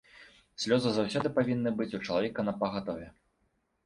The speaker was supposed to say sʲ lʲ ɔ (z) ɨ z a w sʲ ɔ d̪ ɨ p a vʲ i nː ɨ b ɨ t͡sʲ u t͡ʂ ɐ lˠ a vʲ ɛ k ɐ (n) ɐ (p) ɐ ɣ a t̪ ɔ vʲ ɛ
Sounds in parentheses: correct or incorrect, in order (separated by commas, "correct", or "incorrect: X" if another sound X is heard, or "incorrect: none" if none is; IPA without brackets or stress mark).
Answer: correct, correct, correct